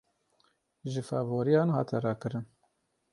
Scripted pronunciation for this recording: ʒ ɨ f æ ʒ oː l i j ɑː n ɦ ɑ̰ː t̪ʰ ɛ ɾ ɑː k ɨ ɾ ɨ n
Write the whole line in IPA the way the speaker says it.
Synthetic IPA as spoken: ʒ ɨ f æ v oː ɾ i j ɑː n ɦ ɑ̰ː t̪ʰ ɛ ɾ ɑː k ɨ ɾ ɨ n